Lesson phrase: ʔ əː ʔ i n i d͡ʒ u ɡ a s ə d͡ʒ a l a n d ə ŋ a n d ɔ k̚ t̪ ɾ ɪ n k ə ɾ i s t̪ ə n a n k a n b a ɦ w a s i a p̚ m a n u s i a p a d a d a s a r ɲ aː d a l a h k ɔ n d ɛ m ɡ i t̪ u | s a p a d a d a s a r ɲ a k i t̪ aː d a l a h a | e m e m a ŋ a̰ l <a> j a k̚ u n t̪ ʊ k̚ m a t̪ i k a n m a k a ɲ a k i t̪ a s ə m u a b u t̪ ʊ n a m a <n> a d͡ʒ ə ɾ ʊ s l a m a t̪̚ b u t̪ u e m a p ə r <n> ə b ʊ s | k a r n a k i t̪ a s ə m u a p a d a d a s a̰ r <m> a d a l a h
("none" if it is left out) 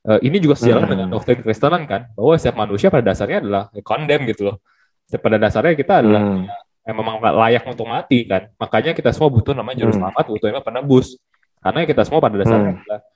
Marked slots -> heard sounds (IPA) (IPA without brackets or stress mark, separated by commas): a, ɲ, n, ɲ